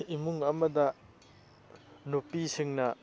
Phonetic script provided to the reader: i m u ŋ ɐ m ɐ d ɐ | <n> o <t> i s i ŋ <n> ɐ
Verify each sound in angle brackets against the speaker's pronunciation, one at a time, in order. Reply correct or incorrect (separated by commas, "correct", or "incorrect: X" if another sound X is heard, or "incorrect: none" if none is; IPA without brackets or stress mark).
correct, incorrect: p, correct